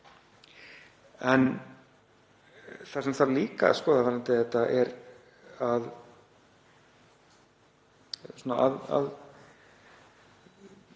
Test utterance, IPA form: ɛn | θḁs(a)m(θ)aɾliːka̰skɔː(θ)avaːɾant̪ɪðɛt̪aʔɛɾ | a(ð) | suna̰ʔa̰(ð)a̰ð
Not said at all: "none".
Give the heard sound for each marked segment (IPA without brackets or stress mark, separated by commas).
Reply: ɛ, θ, ð, ð, ð